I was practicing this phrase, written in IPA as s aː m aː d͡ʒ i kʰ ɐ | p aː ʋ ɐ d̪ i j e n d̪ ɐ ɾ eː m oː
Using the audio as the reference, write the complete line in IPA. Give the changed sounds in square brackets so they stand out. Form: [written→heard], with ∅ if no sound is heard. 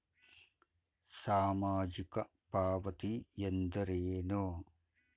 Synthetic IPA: s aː m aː d͡ʒ i [kʰ→k] ɐ | p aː ʋ ɐ [d̪→t̪] i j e n d̪ ɐ ɾ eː [m→n] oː